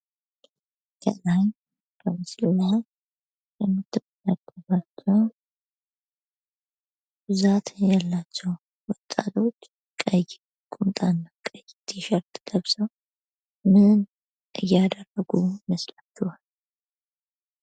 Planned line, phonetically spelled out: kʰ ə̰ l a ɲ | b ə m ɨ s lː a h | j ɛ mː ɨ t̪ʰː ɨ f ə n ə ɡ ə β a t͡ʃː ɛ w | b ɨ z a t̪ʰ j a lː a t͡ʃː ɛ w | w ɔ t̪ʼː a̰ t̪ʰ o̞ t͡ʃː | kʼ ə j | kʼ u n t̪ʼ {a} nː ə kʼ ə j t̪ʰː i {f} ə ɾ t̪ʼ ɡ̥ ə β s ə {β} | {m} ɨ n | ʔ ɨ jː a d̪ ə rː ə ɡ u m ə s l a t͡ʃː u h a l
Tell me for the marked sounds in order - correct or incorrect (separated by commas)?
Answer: correct, incorrect, incorrect, correct